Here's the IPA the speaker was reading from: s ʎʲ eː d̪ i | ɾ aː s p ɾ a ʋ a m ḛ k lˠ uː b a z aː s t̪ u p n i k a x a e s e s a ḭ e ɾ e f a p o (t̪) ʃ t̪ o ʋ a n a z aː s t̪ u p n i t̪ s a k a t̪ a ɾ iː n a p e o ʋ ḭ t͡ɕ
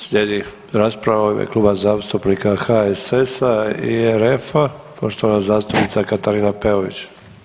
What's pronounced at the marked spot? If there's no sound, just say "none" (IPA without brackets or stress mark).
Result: none